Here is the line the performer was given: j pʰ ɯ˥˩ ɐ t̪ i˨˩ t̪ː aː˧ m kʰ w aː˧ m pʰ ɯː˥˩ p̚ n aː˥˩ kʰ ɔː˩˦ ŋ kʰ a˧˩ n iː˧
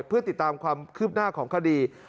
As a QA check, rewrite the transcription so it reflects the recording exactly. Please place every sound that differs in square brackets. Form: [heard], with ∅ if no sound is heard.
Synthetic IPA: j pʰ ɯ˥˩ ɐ t̪ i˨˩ t̪ː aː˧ m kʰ w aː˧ m [kʰ] ɯː˥˩ p̚ n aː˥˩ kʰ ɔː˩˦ ŋ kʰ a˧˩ [d] iː˧